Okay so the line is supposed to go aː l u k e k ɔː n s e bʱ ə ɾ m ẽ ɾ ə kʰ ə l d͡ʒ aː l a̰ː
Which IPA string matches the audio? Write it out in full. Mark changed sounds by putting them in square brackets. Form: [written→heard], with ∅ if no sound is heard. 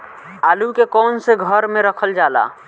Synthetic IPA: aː l u k e k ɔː n s e [bʱ→ɡʱ] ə ɾ m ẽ ɾ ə kʰ ə l d͡ʒ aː l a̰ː